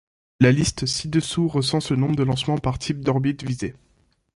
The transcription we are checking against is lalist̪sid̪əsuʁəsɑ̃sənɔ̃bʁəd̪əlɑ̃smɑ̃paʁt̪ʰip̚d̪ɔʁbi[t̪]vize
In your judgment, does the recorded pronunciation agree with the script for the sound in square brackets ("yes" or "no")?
yes